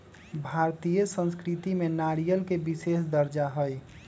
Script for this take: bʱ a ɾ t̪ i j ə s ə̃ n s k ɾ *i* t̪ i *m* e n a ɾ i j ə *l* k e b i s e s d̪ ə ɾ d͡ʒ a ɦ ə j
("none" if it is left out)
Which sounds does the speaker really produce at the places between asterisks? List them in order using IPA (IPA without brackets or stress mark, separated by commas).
i, m, l